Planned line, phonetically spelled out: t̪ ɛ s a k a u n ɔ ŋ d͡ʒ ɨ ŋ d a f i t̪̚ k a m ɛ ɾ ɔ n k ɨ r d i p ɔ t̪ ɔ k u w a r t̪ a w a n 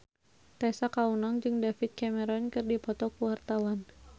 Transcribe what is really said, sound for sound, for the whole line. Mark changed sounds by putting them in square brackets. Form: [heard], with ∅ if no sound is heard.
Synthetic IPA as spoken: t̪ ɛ s a k a u n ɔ ŋ d͡ʒ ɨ ŋ d a f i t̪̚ k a m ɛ ɾ ɔ n k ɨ r d i p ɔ t̪ ɔ k u w a r t̪ a w a n